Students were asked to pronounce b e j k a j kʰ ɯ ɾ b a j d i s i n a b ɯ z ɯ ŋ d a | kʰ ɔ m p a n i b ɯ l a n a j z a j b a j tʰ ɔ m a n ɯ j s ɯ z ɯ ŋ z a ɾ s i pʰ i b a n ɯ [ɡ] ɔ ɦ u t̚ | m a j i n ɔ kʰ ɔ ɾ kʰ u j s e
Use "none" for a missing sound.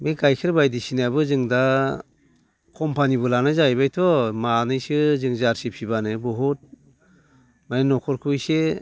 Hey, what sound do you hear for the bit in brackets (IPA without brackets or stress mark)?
b